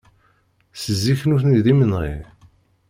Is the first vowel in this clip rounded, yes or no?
no